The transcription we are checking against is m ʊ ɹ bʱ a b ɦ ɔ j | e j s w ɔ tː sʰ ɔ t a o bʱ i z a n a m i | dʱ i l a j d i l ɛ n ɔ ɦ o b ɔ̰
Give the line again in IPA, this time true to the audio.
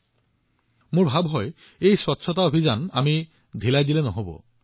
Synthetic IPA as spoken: m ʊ ɹ bʱ a b ɦ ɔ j | e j s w ɔ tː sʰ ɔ t a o bʱ i z a n a m i | dʱ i l a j d i l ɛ n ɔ ɦ o b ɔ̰